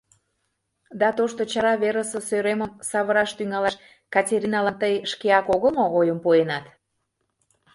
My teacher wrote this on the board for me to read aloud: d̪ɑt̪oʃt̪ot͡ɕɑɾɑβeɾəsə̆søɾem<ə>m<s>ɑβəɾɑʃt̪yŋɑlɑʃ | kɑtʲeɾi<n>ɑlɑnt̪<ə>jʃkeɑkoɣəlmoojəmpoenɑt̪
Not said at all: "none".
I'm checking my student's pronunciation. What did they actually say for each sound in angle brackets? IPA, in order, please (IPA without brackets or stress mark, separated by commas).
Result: ə, s, n, ə